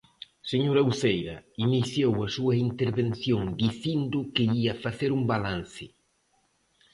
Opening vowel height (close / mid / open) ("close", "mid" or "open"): mid